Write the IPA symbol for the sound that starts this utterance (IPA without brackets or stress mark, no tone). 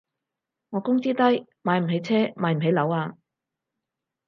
ŋ